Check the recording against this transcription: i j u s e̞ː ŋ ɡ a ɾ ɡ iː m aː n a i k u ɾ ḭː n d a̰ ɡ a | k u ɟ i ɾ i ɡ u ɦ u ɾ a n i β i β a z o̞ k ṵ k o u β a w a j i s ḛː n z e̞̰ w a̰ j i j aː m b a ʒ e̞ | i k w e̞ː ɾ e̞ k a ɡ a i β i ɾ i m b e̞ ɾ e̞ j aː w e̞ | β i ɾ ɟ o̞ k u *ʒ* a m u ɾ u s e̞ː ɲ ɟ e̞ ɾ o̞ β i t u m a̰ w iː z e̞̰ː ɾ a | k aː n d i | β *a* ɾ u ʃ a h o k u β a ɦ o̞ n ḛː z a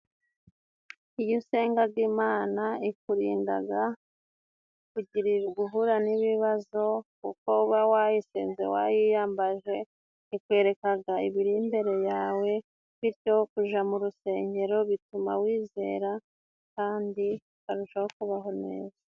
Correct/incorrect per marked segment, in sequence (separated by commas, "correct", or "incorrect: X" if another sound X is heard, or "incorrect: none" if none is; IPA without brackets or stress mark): correct, correct